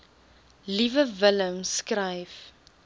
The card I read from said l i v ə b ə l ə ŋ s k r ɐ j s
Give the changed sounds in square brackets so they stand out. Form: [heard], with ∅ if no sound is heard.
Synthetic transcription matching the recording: l i v ə [v] ə l ə [m] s k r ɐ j [f]